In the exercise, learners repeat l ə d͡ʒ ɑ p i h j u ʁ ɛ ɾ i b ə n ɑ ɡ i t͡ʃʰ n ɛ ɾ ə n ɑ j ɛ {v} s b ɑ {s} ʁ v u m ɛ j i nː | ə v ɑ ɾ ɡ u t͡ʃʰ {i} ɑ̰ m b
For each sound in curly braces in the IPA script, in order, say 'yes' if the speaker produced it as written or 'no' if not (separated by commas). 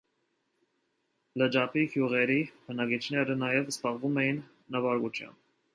yes, no, no